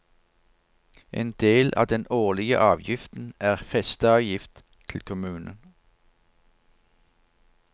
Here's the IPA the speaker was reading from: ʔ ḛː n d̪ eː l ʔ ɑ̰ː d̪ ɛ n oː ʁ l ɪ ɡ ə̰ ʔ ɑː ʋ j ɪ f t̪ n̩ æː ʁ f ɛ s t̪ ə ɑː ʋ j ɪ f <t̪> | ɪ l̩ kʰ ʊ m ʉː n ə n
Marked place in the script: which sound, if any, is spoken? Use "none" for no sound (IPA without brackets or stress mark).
t̪ʰ